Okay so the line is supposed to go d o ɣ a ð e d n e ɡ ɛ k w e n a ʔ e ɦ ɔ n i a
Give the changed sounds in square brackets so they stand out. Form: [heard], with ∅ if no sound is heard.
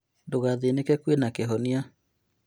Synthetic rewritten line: d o ɣ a ð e [∅] n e [k] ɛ k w e n a [k] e ɦ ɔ n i a

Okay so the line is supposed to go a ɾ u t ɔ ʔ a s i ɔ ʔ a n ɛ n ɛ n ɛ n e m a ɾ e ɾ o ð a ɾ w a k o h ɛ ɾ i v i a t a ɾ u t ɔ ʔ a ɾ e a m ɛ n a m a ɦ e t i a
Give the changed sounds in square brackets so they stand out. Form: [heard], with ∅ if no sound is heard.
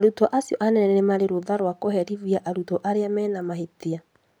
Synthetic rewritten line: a ɾ u t ɔ ʔ a s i ɔ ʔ a n ɛ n ɛ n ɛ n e m a ɾ e ɾ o ð a ɾ w a k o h ɛ ɾ i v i a [ʔ] a ɾ u t ɔ ʔ a ɾ e a m ɛ n a m a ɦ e t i a

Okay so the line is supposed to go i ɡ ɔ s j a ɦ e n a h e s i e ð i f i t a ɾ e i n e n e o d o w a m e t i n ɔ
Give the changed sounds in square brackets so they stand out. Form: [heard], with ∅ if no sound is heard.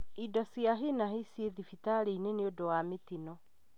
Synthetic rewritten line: i [d] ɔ s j a ɦ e n a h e s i e ð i f i t a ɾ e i n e n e o d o w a m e t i n ɔ

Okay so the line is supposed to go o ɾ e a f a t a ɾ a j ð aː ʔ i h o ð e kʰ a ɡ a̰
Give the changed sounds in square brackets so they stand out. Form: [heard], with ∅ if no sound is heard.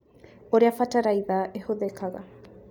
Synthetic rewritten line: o ɾ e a f a t a ɾ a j ð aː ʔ [e] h o ð e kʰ a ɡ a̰

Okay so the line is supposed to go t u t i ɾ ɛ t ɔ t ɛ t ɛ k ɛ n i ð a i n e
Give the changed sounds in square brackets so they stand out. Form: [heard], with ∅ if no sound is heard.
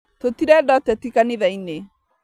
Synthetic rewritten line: t [o] t i ɾ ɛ [d] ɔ t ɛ t [i] k [a] n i ð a i n e

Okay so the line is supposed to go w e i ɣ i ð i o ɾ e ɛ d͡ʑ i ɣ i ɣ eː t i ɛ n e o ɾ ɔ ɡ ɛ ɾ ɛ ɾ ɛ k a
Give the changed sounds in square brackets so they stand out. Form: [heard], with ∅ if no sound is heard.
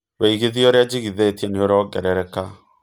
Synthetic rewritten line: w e i ɣ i ð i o ɾ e [a] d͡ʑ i ɣ i [ð] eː t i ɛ n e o ɾ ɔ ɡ ɛ ɾ ɛ ɾ ɛ k a

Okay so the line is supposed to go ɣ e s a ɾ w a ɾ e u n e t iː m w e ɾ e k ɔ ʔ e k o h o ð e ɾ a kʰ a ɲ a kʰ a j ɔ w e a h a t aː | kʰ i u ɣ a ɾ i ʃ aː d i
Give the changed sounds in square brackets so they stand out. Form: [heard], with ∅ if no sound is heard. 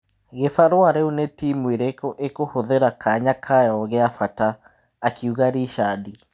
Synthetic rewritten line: ɣ e [f] a ɾ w a ɾ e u n e t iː m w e ɾ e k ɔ ʔ e k o h o ð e ɾ a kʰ a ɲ a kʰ a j ɔ [ɣ] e a [f] a t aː | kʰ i u ɣ a ɾ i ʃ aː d i

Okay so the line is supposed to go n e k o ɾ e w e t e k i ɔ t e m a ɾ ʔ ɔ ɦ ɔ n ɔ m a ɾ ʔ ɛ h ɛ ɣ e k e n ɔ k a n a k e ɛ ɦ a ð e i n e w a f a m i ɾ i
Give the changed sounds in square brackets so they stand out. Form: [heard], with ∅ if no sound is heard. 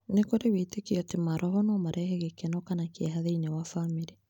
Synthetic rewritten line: n e k o ɾ e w e t e k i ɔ t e m a ɾ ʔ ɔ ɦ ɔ n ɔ m a ɾ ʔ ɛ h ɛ ɣ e k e n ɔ k a n a k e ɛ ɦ a ð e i n e w a f a m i ɾ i

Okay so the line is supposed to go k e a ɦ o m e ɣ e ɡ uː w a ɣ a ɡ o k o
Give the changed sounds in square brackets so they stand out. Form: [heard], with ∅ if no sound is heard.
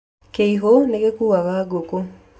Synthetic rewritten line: k e [i] ɦ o [n] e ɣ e [k] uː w a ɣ a ɡ o k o

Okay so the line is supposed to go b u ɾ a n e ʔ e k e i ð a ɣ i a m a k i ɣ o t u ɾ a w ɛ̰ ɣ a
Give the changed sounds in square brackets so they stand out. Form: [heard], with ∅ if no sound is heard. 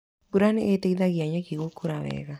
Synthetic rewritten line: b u ɾ a n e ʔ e [t] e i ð a ɣ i a [ɲ] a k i ɣ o [k] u ɾ a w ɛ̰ ɣ a

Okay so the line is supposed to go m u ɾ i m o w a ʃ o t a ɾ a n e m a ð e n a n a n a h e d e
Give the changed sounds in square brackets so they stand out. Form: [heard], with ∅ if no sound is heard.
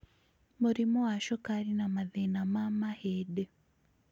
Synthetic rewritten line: m u ɾ i m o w a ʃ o [k] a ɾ [i] n [a] m a ð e n a [m] a [m] a h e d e

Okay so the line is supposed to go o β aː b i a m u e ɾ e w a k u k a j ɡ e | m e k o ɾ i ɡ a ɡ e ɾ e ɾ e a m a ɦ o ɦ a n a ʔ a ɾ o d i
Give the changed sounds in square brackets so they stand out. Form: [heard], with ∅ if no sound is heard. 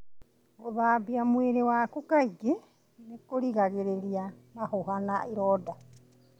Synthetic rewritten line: o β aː b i a m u e ɾ e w a k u k a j ɡ e | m e k o ɾ i ɡ a ɡ e ɾ e ɾ [i] a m a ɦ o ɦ a n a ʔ [i] ɾ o d [a]

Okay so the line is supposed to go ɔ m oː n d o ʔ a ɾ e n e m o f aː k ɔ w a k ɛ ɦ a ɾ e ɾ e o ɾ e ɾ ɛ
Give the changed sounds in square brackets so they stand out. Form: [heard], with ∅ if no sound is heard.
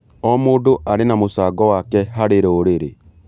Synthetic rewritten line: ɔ m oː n d o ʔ a ɾ e n [a] m o [s] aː [ɡ] ɔ w a k ɛ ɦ a ɾ e ɾ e o ɾ e ɾ [e]

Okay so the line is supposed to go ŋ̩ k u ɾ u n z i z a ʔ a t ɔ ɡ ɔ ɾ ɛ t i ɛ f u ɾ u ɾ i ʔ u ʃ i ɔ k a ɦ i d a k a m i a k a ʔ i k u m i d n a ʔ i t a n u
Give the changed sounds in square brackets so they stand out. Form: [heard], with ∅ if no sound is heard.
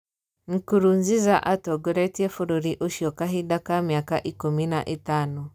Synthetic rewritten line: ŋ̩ k u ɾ u n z i z a ʔ a t ɔ ɡ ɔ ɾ ɛ t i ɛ f u ɾ u ɾ i ʔ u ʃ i ɔ k a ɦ i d a k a m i a k a ʔ i k u m i [∅] n a ʔ i t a n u

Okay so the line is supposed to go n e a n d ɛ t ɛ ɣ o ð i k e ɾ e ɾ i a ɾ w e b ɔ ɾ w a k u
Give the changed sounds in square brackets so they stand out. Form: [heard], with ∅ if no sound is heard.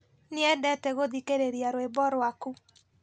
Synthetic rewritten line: n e [ɛ] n d ɛ t ɛ ɣ o ð i k e ɾ e ɾ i a ɾ w e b ɔ ɾ w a k u

